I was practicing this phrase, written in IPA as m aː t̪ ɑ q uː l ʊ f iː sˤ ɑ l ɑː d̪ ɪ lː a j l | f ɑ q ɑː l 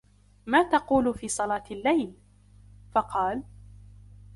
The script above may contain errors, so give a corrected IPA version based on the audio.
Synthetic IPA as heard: m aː t̪ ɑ q uː l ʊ f iː sˤ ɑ l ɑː t̪ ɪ lː a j l | f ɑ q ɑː l